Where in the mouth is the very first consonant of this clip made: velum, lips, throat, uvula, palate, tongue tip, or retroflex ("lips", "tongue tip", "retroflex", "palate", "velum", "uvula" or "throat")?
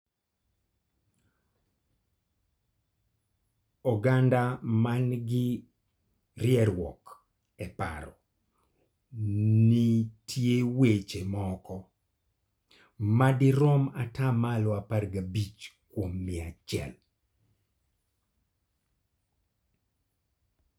velum